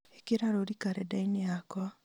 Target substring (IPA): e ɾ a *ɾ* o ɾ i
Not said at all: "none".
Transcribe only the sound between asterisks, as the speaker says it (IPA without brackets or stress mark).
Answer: ɾ